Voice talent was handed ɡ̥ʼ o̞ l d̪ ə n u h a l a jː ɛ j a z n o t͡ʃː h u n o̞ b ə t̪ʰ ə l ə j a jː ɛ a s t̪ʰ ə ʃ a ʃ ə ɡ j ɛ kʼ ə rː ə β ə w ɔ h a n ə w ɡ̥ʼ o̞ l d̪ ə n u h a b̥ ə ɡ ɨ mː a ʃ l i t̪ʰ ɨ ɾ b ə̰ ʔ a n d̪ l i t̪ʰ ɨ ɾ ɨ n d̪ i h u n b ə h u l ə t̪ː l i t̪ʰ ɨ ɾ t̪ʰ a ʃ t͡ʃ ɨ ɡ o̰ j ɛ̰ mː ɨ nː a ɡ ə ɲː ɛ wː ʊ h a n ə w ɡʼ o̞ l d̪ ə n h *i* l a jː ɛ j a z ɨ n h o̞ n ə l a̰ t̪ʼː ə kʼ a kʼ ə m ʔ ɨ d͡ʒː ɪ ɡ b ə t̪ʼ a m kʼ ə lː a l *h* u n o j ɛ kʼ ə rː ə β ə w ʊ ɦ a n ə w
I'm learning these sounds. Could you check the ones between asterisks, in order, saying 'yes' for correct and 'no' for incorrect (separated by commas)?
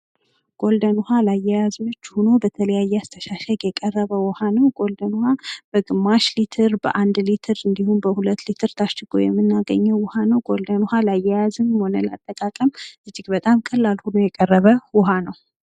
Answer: no, yes